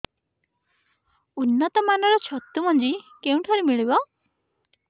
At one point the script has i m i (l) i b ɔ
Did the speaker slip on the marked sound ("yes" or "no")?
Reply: yes